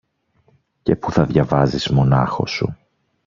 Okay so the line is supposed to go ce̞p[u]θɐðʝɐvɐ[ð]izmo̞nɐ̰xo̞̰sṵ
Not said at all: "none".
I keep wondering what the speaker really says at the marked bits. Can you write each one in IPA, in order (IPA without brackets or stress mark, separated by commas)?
u, z